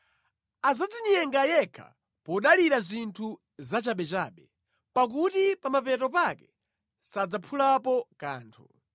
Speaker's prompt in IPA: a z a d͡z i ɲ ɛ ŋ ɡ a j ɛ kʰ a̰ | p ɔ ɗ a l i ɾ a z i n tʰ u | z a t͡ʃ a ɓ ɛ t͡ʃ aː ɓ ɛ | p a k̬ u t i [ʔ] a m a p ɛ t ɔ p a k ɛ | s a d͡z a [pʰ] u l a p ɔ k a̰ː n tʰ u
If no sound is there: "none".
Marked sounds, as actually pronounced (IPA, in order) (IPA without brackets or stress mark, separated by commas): p, pʰ